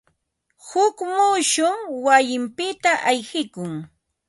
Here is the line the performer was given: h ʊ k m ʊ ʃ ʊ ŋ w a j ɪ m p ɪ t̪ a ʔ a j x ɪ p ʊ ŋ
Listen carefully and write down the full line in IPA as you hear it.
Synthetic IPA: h ʊ k m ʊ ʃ ʊ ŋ w a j ɪ m p ɪ t̪ a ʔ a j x ɪ k ʊ ŋ